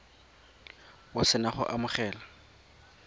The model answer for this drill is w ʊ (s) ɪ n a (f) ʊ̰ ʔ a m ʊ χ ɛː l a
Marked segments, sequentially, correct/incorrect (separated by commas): correct, incorrect